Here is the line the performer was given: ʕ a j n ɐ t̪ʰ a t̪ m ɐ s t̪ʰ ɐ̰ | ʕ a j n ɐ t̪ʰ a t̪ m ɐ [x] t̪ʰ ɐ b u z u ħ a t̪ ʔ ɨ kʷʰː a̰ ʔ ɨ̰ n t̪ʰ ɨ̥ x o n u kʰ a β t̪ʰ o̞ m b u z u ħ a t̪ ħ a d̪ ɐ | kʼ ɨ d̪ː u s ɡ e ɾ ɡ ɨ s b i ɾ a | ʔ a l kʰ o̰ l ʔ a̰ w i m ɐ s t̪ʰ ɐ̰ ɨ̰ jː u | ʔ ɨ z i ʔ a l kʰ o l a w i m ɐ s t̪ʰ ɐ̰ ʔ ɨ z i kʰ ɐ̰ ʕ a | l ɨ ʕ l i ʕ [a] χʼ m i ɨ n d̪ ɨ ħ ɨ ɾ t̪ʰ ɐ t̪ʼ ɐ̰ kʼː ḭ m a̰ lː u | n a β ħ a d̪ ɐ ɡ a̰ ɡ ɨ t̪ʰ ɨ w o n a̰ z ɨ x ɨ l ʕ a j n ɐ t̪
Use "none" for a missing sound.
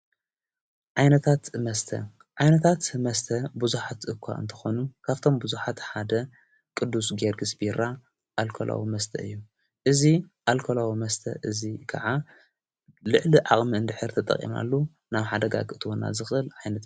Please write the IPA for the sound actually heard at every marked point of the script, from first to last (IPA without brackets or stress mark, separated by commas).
s, a